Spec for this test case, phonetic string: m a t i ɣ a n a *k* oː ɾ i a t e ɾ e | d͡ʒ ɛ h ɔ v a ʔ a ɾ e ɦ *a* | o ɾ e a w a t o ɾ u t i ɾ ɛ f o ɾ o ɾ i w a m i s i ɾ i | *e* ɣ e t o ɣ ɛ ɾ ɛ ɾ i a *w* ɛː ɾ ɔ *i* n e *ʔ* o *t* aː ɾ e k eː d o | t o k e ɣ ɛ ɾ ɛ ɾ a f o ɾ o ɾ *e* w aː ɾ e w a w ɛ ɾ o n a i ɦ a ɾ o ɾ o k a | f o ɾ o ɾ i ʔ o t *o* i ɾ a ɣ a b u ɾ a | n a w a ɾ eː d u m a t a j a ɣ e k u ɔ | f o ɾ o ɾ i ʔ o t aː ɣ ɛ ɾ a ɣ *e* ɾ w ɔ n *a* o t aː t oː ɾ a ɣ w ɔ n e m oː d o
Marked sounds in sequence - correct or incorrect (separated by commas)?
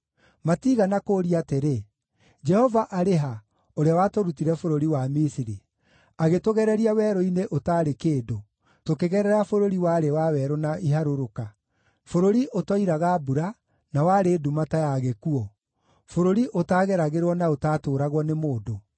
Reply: correct, correct, incorrect, correct, correct, correct, correct, incorrect, incorrect, correct, correct